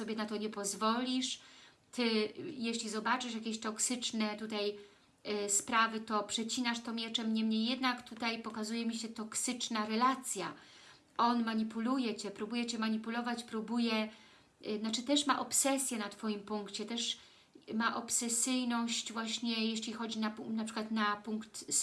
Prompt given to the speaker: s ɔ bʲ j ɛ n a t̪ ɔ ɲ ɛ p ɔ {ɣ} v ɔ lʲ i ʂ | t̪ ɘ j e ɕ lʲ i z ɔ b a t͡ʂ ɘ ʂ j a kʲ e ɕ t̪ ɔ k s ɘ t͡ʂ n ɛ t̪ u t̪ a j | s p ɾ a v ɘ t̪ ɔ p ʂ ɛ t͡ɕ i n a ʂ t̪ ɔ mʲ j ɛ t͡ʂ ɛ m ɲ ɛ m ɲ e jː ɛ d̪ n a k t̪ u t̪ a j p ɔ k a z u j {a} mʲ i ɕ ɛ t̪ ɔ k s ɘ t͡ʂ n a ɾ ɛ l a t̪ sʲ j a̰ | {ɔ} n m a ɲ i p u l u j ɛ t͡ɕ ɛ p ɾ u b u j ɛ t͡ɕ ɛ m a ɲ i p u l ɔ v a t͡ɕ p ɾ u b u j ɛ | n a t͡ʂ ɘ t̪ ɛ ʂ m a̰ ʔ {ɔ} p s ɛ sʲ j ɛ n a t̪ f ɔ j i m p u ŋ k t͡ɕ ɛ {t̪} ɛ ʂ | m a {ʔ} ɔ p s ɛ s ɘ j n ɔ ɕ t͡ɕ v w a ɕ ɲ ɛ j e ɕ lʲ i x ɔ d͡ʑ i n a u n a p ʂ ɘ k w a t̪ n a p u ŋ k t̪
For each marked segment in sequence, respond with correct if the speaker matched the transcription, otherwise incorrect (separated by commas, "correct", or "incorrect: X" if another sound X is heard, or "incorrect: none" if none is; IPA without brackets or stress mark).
incorrect: z, incorrect: ɛ, correct, correct, correct, correct